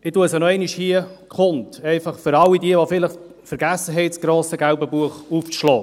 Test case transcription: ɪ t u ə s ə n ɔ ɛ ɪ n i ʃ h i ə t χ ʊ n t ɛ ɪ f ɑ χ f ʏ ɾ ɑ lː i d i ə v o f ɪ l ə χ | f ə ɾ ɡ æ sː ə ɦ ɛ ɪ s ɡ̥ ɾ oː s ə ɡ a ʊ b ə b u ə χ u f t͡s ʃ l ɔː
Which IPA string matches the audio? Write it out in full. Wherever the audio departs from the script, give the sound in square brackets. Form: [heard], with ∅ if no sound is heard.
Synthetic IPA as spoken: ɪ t u ə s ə n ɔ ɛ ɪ n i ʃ h i ə [k] χ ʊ n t ɛ ɪ f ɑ χ f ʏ ɾ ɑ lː i d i ə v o f ɪ l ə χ | f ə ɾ ɡ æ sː ə ɦ ɛ ɪ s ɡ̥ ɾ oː s ə ɡ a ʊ b ə b u ə χ u f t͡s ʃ l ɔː